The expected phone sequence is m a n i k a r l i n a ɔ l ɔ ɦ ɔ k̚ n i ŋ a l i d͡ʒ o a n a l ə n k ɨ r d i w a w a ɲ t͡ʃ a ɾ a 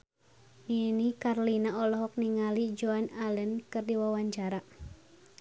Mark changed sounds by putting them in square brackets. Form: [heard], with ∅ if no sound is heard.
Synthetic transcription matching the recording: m [i] n i k a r l i n a ɔ l ɔ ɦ ɔ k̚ n i ŋ a l i d͡ʒ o a n a l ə n k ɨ r d i w a w a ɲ t͡ʃ a ɾ a